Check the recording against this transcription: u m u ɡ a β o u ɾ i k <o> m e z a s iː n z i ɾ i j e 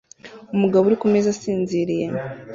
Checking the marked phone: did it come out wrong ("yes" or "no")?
yes